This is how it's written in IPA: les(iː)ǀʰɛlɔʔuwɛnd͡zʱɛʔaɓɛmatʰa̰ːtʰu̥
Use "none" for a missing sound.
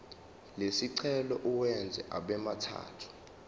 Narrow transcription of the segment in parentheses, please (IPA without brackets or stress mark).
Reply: i